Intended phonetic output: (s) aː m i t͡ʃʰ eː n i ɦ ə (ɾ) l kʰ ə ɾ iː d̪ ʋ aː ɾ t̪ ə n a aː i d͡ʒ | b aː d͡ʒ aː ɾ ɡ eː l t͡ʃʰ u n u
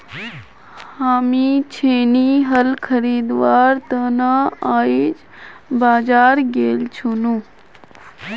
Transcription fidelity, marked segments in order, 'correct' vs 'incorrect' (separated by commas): incorrect, incorrect